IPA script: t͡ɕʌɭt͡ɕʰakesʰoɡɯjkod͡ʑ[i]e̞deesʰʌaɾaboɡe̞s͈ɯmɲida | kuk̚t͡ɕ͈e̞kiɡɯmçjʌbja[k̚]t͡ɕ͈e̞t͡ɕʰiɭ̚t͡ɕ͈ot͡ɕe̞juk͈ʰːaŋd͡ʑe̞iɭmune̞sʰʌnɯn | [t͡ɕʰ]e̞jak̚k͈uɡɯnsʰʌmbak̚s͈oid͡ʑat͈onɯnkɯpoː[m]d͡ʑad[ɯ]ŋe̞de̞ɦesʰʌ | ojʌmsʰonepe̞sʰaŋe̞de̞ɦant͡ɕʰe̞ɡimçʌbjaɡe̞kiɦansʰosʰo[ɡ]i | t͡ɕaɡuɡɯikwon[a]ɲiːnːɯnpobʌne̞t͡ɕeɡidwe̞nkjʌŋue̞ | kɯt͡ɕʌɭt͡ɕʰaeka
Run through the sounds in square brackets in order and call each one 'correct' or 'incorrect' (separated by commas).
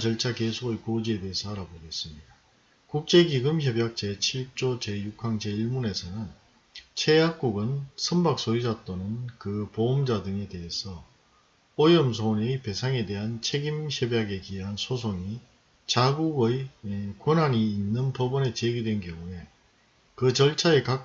correct, correct, correct, correct, correct, incorrect, correct